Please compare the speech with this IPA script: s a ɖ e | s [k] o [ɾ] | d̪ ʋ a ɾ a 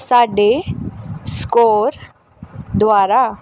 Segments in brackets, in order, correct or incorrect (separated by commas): correct, correct